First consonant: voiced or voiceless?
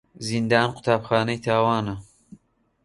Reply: voiced